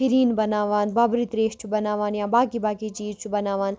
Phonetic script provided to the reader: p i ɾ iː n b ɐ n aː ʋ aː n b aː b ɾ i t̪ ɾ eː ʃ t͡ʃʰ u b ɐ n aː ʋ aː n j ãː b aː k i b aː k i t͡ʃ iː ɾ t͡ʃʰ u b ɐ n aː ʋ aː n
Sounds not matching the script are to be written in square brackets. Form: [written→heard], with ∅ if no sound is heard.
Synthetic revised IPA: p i ɾ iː n b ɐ n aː ʋ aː n b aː b ɾ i t̪ ɾ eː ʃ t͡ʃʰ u b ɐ n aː ʋ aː n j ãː b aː k i b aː k i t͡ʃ iː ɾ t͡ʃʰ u b ɐ n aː ʋ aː n